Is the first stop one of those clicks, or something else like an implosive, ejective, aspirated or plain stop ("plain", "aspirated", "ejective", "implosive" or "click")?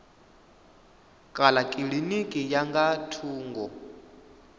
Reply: ejective